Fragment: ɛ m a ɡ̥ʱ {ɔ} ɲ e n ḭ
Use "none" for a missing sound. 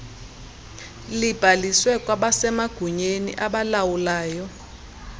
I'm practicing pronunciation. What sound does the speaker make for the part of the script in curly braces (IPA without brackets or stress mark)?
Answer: u